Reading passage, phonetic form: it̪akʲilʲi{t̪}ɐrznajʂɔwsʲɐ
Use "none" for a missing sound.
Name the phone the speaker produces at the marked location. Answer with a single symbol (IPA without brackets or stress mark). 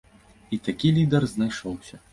d̪